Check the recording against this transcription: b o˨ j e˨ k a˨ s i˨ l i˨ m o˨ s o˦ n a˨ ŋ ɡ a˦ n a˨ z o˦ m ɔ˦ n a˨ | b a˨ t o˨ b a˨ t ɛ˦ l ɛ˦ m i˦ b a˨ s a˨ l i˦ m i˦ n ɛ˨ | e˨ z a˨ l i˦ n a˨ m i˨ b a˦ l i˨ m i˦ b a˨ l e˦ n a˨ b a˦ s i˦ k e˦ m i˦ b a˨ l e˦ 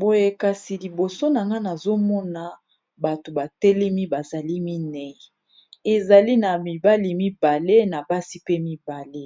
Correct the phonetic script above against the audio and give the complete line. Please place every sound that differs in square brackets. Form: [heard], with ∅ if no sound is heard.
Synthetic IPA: b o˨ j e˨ k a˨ s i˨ l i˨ [b] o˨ s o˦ n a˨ ŋ ɡ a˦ n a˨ z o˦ m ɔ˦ n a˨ | b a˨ t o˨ b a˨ t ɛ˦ l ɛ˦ m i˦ b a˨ [z] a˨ l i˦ m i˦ n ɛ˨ | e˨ z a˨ l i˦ n a˨ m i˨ b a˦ l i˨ m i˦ b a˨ l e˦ n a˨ b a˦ s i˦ [p] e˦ m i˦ b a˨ l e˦